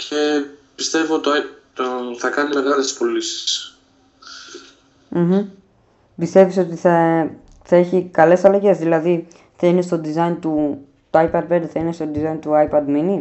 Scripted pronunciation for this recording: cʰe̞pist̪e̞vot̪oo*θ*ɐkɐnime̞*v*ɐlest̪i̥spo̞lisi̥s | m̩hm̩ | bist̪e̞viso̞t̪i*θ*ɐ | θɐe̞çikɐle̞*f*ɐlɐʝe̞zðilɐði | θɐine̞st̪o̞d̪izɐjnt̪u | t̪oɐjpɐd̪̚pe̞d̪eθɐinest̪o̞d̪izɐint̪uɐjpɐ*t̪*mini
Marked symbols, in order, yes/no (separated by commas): yes, no, yes, no, no